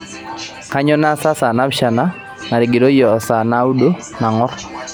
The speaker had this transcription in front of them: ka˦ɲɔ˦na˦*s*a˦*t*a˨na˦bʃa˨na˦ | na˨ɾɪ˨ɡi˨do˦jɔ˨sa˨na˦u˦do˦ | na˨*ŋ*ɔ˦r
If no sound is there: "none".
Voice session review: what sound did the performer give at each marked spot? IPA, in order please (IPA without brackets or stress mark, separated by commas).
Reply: s, s, ŋ